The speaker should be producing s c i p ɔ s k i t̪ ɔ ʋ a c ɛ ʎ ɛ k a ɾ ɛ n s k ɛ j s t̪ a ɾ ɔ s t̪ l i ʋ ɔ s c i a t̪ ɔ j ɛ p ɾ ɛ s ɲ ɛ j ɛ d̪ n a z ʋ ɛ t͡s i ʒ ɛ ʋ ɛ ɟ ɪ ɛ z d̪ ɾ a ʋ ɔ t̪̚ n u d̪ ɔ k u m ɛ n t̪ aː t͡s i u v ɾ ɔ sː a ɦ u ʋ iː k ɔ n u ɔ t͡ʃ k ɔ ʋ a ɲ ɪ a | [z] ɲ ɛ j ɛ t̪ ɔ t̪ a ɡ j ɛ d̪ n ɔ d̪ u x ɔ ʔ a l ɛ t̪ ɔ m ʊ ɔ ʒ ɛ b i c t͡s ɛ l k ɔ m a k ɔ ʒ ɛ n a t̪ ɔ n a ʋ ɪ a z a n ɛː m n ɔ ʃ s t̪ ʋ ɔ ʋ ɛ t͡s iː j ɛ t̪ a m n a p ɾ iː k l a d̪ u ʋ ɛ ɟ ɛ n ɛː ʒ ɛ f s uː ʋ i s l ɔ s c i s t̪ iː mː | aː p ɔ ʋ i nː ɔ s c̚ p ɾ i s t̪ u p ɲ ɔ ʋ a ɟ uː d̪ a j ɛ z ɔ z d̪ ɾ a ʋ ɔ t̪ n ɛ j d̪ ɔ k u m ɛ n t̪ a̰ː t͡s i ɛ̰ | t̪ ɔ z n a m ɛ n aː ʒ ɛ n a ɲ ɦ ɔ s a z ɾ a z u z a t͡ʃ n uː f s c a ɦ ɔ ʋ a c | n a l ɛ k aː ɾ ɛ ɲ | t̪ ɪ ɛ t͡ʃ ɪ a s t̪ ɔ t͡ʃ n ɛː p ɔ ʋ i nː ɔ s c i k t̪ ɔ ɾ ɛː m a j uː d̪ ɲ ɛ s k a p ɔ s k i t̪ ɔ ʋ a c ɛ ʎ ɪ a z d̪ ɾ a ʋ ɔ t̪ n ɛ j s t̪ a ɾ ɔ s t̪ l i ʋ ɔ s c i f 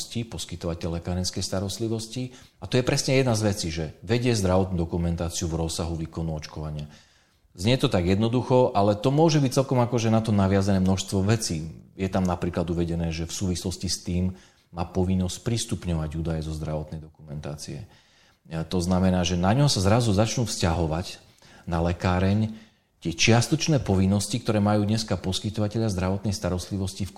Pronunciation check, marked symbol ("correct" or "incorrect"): correct